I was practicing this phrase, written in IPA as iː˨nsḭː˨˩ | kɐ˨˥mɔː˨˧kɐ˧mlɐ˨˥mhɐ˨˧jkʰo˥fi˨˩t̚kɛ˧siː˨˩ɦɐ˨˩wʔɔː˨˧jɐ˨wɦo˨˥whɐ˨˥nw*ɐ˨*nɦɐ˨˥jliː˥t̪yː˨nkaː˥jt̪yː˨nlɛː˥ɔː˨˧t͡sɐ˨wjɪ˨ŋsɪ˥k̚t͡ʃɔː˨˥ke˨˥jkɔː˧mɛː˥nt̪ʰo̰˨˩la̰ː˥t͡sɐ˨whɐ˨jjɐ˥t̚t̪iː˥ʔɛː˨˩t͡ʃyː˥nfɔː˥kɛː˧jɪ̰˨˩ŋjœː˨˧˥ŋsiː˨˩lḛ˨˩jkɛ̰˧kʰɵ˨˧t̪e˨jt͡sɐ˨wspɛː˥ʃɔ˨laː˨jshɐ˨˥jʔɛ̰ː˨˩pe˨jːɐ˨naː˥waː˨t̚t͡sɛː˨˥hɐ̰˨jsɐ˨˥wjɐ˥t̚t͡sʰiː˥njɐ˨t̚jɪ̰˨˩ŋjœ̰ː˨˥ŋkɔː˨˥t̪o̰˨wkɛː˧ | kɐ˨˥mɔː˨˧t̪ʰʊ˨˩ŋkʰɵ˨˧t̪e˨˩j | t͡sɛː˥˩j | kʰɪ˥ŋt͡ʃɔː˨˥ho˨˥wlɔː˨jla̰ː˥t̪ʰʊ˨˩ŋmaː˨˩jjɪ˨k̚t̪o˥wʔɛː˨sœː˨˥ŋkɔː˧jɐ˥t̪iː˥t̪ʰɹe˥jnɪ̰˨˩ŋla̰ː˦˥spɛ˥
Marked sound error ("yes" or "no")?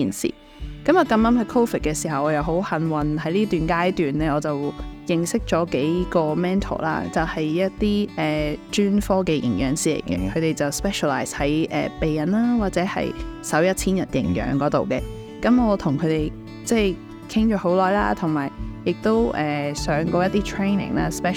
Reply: no